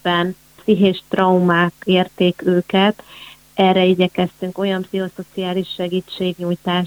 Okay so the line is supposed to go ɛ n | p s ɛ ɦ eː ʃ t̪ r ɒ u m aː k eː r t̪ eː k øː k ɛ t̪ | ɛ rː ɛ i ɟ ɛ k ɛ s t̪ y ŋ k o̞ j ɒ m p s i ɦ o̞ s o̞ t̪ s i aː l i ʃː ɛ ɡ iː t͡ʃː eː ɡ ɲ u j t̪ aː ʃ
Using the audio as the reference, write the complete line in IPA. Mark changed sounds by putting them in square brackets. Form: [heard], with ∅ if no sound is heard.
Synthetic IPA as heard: ɛ n | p s [i] ɦ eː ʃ t̪ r ɒ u m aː k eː r t̪ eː k øː k ɛ t̪ | ɛ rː ɛ i ɟ ɛ k ɛ s t̪ y ŋ k o̞ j ɒ m p s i ɦ o̞ s o̞ t̪ s i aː l i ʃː ɛ ɡ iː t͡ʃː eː ɡ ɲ u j t̪ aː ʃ